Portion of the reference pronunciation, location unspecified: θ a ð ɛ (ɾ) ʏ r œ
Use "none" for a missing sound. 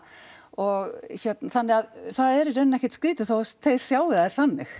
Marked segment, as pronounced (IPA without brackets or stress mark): ɾ